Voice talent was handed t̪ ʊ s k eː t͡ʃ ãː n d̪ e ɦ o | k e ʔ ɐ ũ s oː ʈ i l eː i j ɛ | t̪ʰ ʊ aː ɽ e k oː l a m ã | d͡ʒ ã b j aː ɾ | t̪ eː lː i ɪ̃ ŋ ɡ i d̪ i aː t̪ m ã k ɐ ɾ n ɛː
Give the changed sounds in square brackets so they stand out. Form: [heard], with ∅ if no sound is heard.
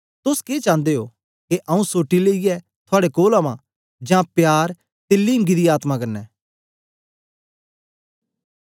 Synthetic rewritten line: t̪ ʊ s k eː t͡ʃ ãː n d̪ e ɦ o | k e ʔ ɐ ũ s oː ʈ i l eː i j ɛ | t̪ʰ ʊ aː ɽ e k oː l a m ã | d͡ʒ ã [p] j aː ɾ | t̪ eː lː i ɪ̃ ŋ ɡ i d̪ i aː t̪ m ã k ɐ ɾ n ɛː